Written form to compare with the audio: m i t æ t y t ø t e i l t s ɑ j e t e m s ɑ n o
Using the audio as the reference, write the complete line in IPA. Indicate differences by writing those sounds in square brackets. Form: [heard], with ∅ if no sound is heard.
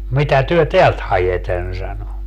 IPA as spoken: m i t æ t y [∅] ø t e [æ] l t [h] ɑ j e t e [n] s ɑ n o